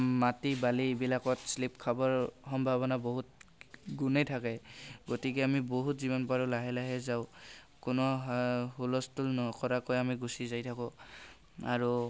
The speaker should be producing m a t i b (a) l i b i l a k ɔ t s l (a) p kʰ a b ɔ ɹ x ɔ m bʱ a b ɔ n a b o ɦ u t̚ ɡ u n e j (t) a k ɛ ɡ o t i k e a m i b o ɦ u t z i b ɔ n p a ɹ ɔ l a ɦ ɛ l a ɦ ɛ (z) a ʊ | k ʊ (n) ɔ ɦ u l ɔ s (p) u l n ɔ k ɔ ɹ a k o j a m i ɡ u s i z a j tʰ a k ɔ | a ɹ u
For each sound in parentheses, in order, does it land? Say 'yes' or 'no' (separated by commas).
yes, no, no, yes, yes, no